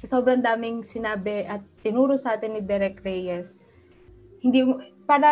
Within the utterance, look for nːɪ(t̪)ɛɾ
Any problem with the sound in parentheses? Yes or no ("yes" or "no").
yes